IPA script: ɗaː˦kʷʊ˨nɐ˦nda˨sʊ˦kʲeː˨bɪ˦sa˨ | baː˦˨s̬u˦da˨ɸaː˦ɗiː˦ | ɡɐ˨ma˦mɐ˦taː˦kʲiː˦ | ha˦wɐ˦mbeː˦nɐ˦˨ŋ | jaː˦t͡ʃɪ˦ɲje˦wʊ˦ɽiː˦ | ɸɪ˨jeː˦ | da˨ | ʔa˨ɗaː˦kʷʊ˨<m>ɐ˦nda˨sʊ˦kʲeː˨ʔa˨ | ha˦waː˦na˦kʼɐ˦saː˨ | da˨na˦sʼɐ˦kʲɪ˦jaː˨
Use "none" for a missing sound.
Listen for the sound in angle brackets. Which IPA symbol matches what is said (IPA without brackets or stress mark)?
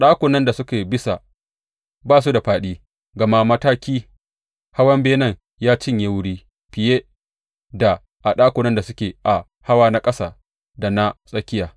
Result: n